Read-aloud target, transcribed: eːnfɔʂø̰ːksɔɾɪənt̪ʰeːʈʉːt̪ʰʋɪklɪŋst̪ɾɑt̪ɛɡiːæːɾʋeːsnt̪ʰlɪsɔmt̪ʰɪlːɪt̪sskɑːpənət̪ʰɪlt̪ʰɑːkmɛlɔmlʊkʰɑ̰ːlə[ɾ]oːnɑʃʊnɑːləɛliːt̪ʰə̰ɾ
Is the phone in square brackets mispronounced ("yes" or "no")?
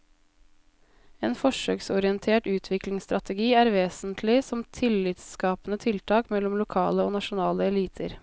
yes